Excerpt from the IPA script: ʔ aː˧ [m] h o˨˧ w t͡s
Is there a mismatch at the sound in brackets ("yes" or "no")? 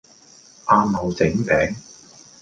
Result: no